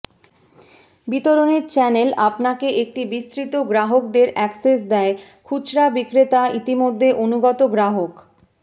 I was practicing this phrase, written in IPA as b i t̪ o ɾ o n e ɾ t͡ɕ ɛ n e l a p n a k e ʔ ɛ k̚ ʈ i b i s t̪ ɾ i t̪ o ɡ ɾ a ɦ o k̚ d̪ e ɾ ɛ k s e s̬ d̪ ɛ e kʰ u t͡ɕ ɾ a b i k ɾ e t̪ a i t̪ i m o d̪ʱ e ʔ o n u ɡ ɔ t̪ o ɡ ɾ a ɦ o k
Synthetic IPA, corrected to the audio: b i t̪ o ɾ o n e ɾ t͡ɕ ɛ n e l a p n a k e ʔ e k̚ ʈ i b i s t̪ ɾ i t̪ o ɡ ɾ a ɦ o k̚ d̪ e ɾ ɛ k s e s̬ d̪ ɛ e kʰ u t͡ɕ ɾ a b i k ɾ e t̪ a i t̪ i m o d̪ʱː e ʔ o n u ɡ ɔ t̪ o ɡ ɾ a ɦ o k

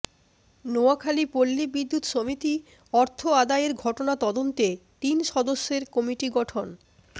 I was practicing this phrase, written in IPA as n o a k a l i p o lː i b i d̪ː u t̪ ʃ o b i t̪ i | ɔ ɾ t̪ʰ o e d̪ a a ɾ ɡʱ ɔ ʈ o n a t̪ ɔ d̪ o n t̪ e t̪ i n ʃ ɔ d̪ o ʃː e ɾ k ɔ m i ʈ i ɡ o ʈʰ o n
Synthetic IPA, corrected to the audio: n o a kʰ a l i p o lː i b i d̪ː u t̪ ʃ o m i t̪ i | ɔ ɾ t̪ʰ o a d̪ a e ɾ ɡʱ ɔ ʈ o n a t̪ ɔ d̪ o n t̪ e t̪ i n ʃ ɔ d̪ o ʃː e ɾ k ɔ m i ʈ i ɡ ɔ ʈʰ o n

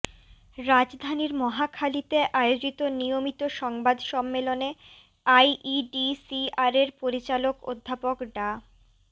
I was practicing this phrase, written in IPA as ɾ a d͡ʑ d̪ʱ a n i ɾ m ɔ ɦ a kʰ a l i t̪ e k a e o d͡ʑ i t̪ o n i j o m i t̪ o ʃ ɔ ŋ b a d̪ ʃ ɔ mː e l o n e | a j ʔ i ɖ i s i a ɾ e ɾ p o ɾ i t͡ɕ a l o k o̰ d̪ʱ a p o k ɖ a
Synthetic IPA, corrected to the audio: ɾ a d͡ʑ d̪ʱ a n i ɾ m ɔ ɦ a kʰ a l i t̪ e ʔ a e o d͡ʑ i t̪ o n i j o m i t̪ o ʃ ɔ ŋ b a d̪ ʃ ɔ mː e l o n e | a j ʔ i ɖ i s i a ɾ e ɾ p o ɾ i t͡ɕ a l o k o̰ d̪ʱː a p o k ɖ a

